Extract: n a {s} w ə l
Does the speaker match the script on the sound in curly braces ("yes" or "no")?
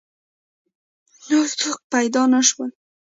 no